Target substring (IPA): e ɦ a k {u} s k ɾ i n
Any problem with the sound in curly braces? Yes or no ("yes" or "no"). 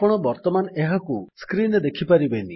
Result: no